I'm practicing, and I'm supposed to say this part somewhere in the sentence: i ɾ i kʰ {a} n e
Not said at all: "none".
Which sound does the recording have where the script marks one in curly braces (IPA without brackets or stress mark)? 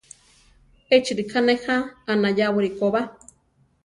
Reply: a